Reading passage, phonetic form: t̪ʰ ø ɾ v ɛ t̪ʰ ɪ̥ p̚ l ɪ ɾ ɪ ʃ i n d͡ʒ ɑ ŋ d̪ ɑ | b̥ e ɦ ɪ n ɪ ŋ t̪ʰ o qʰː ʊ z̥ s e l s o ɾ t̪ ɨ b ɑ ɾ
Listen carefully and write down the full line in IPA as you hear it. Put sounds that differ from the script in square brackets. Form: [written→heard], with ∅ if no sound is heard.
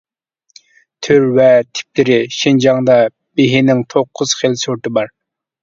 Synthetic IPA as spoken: t̪ʰ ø ɾ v ɛ t̪ʰ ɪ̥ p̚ l ɪ ɾ ɪ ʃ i n d͡ʒ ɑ ŋ d̪ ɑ | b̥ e ɦ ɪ n ɪ ŋ t̪ʰ o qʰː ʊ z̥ [s→χ] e l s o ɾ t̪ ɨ b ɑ ɾ

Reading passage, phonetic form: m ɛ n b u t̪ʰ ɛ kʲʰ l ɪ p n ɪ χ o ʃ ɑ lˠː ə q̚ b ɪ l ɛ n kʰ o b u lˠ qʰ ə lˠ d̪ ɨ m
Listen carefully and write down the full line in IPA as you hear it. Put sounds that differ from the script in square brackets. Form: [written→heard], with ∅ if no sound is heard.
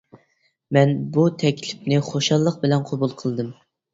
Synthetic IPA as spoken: m ɛ n b u t̪ʰ ɛ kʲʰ l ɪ p n ɪ χ o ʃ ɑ lˠː ə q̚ b ɪ l ɛ n [kʰ→qʰ] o b u lˠ qʰ ə lˠ d̪ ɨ m

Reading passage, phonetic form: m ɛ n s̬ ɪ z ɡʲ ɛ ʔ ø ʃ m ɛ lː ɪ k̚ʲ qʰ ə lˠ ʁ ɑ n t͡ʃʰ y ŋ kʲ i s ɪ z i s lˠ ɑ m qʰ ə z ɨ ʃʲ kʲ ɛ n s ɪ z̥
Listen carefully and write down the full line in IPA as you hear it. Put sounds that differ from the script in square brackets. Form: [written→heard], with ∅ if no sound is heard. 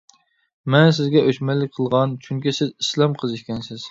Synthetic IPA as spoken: m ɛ n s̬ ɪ z ɡʲ ɛ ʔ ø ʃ m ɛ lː ɪ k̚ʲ qʰ ə lˠ ʁ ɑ n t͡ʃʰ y ŋ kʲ i s ɪ z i s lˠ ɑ m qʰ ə z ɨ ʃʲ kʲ ɛ n s ɪ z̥

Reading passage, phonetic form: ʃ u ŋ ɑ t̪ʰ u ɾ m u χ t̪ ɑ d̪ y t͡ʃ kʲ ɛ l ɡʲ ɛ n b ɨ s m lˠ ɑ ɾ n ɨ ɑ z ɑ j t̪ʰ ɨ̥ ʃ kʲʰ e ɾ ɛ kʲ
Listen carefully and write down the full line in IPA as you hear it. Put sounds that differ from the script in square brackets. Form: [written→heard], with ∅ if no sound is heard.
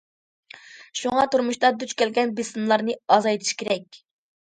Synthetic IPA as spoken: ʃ u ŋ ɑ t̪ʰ u ɾ m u [χ→ʃ] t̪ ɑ d̪ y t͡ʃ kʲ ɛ l ɡʲ ɛ n b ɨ s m lˠ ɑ ɾ n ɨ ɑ z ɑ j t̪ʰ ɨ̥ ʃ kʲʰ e ɾ ɛ kʲ

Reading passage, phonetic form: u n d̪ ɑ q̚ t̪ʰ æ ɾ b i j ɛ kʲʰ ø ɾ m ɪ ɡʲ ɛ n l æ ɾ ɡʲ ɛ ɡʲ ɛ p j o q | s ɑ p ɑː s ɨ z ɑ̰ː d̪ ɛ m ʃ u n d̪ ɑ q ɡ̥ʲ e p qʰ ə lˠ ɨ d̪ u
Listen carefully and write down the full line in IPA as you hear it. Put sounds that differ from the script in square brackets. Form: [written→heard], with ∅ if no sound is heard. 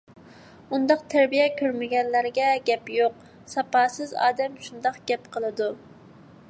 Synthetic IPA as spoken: u n d̪ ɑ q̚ t̪ʰ æ ɾ b i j ɛ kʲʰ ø ɾ m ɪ ɡʲ ɛ n l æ ɾ ɡʲ ɛ ɡʲ ɛ p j o q | s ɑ p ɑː s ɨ z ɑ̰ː d̪ ɛ m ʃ u n d̪ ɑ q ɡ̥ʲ [e→ɛ] p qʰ ə lˠ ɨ d̪ u

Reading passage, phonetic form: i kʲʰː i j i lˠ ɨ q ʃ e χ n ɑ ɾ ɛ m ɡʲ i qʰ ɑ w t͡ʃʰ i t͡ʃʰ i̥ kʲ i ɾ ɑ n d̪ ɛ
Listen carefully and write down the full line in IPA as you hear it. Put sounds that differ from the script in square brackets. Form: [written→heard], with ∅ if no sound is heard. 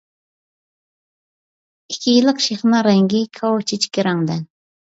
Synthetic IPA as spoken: i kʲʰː i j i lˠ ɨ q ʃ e χ n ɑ ɾ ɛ [m→ŋ] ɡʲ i [qʰ→kʰ] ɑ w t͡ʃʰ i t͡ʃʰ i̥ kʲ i ɾ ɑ [n→ŋ] d̪ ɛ

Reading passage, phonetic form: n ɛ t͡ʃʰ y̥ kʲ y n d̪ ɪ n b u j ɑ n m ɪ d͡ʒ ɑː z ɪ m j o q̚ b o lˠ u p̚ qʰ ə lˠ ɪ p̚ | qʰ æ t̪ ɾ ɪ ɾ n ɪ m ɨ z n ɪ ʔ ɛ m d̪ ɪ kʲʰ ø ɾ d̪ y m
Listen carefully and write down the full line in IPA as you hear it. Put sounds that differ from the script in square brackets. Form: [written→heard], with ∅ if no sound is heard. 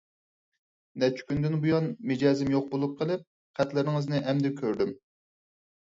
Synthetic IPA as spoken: n ɛ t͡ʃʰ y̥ kʲ y n d̪ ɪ n b u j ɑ n m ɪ d͡ʒ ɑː z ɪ m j o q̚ b o lˠ u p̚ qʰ ə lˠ ɪ p̚ | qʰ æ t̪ [ɾ→l] ɪ ɾ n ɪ [m→ŋ] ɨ z n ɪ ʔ ɛ m d̪ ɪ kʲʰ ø ɾ d̪ y m

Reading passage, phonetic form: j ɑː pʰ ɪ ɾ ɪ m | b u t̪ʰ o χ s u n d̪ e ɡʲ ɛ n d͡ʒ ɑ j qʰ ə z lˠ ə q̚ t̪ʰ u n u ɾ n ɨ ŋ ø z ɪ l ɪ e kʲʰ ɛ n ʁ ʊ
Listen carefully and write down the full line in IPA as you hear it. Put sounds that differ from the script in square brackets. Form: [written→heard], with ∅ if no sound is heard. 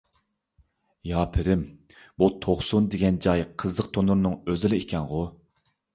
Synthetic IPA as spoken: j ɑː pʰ ɪ ɾ ɪ m | b u t̪ʰ o χ s u n d̪ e ɡʲ ɛ n d͡ʒ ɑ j qʰ ə z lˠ ə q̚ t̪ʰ [u→o] n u ɾ n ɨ ŋ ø z ɪ l ɪ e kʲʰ ɛ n ʁ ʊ

